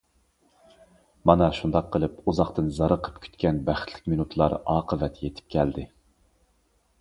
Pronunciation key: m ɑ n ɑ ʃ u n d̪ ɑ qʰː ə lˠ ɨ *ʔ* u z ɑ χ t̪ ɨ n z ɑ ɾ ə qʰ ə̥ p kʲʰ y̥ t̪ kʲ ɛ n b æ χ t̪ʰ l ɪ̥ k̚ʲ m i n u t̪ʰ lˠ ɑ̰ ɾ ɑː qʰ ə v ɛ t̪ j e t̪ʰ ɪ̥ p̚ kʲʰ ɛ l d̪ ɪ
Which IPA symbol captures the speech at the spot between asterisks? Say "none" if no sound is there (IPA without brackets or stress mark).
p